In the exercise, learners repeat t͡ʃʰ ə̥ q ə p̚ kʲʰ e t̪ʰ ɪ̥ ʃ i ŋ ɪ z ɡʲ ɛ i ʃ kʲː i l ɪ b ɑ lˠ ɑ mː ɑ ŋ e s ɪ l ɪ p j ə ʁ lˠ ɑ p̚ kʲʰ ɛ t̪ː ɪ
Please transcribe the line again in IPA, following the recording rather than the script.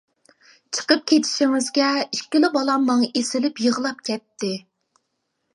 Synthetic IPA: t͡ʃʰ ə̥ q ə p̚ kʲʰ e t̪ʰ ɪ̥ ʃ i ŋ ɪ z ɡʲ ɛ i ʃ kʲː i l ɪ b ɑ lˠ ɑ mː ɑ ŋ e s ɪ l ɪ p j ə ʁ lˠ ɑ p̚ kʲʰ ɛ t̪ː ɪ